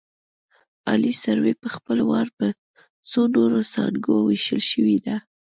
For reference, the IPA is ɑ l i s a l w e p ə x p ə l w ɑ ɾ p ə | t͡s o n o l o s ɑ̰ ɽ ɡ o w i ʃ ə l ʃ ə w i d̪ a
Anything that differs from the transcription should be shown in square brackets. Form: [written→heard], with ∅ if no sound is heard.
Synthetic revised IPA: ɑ l i s a [l→ɾ] w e p ə x p ə l w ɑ ɾ p ə | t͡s o n o [l→ɾ] o s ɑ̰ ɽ ɡ o w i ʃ ə l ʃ ə w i d̪ a